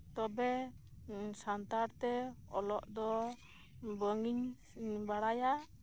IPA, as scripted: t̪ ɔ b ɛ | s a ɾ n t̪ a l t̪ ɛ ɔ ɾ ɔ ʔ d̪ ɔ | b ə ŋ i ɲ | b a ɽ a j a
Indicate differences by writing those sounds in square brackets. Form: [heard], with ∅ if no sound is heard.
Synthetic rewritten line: t̪ ɔ b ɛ | s a [∅] n t̪ a [ɾ] t̪ ɛ ɔ [l] ɔ ʔ d̪ ɔ | b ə ŋ i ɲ | b a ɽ a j a